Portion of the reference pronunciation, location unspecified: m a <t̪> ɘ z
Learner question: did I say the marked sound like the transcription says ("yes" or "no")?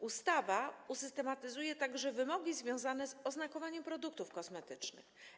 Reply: yes